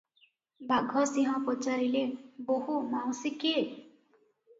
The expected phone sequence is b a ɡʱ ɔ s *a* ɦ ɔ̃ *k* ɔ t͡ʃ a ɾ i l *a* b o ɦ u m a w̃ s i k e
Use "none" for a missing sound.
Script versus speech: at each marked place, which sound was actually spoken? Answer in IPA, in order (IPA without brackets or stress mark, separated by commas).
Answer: i, p, e